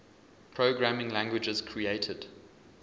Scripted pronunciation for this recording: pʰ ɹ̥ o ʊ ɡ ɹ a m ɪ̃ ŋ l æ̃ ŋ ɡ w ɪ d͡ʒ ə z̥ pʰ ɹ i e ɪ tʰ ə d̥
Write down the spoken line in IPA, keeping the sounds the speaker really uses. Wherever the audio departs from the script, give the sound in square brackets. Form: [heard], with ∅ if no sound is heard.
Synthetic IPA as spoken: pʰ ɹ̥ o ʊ ɡ ɹ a m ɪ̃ ŋ l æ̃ ŋ ɡ w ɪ d͡ʒ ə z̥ [kʰ] ɹ i e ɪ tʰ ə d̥